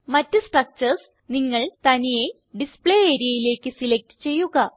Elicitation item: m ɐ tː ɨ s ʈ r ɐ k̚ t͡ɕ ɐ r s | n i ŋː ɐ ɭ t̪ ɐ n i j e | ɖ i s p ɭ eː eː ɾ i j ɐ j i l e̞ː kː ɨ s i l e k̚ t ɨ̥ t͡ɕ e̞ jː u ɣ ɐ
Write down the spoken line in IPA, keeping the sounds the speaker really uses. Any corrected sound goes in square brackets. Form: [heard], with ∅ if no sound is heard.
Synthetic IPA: m ɐ tː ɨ s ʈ r ɐ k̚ t͡ɕ ɐ r s | n i ŋː ɐ ɭ t̪ ɐ n i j e | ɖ i s p ɭ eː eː ɾ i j ɐ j i l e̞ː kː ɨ s i l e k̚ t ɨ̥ t͡ɕ e̞ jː u ɣ ɐ